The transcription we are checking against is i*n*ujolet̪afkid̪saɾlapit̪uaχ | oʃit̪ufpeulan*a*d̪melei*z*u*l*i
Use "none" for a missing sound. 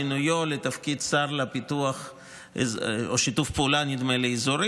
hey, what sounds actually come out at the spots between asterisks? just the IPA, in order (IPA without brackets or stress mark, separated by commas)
n, i, z, ɾ